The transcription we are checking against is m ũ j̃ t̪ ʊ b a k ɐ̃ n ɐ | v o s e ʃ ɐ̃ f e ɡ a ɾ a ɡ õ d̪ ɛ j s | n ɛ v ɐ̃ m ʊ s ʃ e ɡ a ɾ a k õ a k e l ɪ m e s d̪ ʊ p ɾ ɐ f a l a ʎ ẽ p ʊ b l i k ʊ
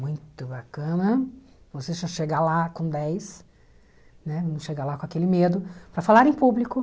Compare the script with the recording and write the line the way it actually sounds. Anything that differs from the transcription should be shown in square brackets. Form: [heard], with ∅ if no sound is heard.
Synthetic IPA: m ũ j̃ t̪ ʊ b a k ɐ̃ n ɐ | v o s e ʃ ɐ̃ [ʃ] e ɡ a [l] a [k] õ d̪ ɛ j s | n ɛ v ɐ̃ m ʊ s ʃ e ɡ a [l] a k õ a k e l ɪ m e [∅] d̪ ʊ p ɾ ɐ f a l a [ɾ] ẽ p [u] b l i k ʊ